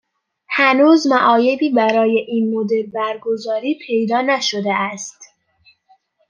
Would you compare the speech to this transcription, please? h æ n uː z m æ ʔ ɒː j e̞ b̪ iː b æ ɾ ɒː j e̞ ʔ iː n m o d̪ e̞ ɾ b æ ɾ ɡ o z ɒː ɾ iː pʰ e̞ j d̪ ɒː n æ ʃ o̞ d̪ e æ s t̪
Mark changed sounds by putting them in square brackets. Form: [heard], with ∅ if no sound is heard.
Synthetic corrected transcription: h æ n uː z m æ ʔ ɒː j e̞ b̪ iː b æ ɾ ɒː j e̞ ʔ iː n m o d̪ e̞ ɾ b æ ɾ ɡ o z ɒː ɾ iː pʰ e̞ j d̪ ɒː n æ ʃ o̞ d̪ e æ s t̪